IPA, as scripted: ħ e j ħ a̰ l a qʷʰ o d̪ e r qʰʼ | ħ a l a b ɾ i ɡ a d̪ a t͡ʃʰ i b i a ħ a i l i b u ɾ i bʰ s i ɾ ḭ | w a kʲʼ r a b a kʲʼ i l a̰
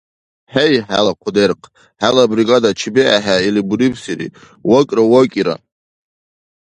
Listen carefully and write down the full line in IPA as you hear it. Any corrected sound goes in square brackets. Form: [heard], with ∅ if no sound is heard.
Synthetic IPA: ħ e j ħ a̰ l a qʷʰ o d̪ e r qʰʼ | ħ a l a b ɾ i ɡ a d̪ a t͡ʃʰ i b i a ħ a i l i b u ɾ i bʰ s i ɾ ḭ | w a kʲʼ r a [w] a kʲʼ i [ɾ] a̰